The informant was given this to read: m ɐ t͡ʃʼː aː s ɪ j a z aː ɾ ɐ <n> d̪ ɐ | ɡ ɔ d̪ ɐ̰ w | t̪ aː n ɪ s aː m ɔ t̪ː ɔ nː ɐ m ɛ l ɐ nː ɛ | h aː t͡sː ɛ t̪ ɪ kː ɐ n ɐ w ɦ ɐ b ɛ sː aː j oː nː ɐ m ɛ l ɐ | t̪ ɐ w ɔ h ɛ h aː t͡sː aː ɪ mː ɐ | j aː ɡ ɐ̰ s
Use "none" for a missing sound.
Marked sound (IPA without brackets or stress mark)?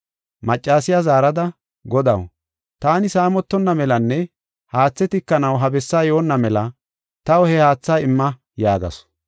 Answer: none